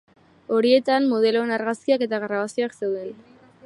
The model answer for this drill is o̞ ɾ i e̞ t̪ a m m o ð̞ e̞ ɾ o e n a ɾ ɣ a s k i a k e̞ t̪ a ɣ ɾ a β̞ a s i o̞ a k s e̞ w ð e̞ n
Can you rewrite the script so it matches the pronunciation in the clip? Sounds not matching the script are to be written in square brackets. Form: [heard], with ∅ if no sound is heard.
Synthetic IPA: o̞ ɾ i e̞ t̪ a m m o ð̞ e̞ [l] o e n a ɾ ɣ a s k i a k e̞ t̪ a ɣ ɾ a β̞ a s i o̞ a k s e̞ w ð e̞ n